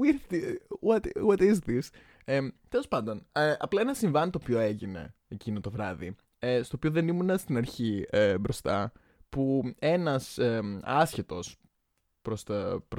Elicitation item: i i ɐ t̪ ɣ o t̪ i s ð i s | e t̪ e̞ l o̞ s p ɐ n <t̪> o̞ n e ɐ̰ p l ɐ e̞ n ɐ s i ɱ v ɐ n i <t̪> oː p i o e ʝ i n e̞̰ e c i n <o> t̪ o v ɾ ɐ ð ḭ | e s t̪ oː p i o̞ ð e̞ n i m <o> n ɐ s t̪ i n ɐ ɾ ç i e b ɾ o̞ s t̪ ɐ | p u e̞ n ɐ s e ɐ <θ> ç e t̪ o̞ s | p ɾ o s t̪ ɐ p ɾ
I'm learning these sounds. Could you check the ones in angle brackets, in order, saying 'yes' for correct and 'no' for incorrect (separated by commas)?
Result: no, yes, yes, no, no